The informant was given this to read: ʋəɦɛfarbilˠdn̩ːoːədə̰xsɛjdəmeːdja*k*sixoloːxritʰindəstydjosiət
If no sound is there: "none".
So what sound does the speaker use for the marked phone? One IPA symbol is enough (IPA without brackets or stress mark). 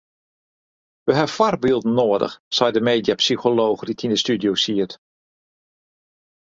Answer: p